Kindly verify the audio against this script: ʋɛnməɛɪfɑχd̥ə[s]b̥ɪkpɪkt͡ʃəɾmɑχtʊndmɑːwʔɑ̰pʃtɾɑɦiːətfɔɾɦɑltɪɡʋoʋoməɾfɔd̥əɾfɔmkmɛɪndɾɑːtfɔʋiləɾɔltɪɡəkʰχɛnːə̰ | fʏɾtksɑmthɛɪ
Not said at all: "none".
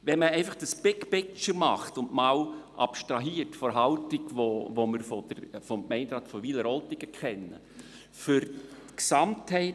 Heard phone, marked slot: s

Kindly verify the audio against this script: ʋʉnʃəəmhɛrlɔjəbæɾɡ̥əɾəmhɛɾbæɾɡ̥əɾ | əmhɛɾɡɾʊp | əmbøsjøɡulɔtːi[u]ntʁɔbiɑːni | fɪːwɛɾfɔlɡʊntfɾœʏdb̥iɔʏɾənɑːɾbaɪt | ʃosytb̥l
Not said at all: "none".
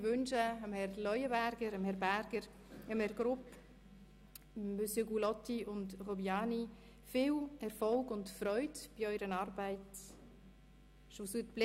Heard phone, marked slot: ʊ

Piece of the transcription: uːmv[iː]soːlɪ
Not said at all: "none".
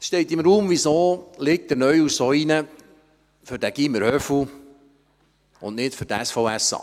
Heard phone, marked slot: i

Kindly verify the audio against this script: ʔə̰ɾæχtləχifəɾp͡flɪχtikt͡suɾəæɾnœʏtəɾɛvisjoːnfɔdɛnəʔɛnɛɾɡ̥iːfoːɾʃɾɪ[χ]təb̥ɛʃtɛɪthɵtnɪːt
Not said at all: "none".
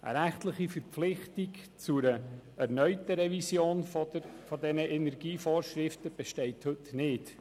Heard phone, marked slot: f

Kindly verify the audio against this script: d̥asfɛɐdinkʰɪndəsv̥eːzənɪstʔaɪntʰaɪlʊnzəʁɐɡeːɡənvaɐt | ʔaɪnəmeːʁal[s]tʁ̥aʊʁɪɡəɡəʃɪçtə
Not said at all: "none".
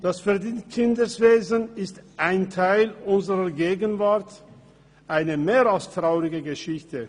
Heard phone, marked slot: s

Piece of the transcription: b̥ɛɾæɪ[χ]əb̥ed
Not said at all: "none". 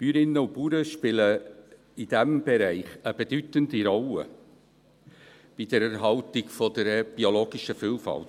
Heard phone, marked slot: χ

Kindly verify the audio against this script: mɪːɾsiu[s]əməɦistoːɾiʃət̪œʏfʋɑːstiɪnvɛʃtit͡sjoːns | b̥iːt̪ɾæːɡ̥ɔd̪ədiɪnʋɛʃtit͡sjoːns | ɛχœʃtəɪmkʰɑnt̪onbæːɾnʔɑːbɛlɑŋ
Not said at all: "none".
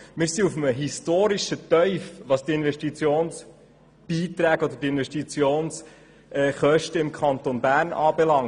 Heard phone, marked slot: f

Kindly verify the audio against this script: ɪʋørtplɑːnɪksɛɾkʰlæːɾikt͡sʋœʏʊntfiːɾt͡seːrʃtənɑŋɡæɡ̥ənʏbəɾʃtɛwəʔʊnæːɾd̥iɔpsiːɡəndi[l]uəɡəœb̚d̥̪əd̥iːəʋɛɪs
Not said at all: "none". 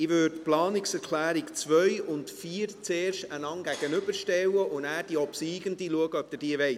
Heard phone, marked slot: l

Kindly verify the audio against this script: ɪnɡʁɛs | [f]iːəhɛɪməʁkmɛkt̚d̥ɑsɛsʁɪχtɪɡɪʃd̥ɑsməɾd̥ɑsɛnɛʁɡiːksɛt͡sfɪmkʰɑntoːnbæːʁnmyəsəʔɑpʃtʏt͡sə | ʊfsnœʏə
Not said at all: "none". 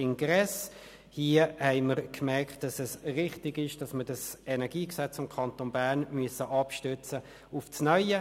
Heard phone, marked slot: h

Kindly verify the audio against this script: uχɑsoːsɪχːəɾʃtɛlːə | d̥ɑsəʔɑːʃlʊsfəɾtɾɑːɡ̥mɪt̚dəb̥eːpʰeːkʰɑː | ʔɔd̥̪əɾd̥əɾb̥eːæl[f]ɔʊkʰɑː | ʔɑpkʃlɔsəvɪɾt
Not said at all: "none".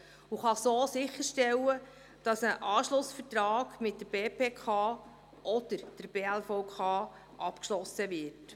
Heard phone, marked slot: f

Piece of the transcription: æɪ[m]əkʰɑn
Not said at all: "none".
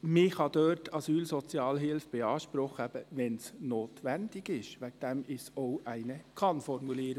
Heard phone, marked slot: n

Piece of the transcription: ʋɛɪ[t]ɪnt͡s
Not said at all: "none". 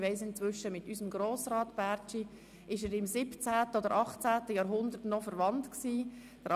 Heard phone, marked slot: s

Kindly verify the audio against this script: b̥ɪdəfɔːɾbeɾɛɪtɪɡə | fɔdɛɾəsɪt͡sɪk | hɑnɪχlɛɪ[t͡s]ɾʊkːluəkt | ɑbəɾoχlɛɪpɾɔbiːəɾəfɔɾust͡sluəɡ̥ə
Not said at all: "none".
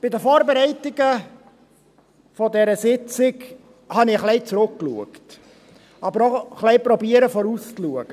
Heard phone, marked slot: t͡s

